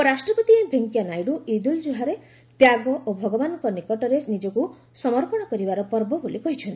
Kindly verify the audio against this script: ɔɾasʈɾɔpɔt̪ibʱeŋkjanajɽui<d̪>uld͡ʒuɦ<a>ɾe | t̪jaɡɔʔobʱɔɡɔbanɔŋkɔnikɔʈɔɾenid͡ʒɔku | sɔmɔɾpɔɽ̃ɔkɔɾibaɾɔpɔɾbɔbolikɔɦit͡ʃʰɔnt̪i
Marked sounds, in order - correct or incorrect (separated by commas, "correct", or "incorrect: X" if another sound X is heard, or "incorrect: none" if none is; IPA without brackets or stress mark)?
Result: correct, correct